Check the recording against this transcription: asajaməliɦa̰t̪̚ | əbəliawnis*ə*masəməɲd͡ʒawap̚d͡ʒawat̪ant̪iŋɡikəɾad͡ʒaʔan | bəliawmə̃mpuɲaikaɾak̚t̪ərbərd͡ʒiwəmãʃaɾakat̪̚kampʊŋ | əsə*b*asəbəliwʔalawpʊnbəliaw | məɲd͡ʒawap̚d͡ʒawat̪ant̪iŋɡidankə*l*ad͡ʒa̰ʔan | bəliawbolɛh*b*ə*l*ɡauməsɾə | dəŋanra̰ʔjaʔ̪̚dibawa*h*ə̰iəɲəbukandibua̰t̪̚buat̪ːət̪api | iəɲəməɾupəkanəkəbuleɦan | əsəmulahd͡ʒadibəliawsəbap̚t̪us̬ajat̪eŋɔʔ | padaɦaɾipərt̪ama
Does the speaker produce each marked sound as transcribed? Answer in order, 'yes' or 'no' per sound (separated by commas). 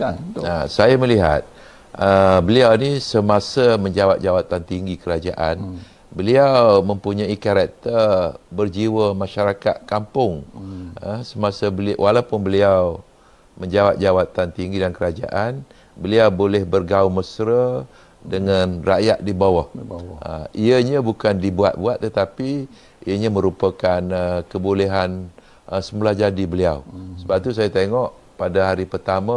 yes, no, no, yes, no, yes